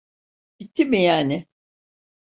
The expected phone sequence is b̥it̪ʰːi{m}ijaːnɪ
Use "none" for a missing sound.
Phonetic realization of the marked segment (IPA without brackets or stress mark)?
m